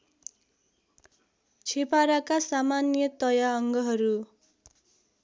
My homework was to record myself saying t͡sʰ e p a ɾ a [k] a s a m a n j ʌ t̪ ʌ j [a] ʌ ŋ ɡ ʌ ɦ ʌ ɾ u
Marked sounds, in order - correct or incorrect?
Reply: correct, correct

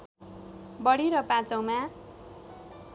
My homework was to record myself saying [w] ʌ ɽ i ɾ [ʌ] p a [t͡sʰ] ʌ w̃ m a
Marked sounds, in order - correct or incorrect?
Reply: incorrect: b, correct, incorrect: t͡s

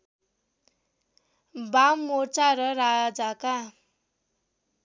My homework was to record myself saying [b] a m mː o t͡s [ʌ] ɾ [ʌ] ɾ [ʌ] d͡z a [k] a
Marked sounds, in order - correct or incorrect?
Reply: correct, incorrect: a, correct, incorrect: a, correct

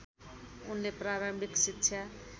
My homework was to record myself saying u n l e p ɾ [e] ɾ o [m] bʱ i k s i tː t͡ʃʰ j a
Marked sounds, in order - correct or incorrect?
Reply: incorrect: a, correct

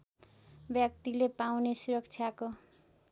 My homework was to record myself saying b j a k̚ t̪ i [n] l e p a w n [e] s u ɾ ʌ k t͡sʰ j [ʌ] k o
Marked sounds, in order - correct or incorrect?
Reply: incorrect: none, correct, incorrect: a

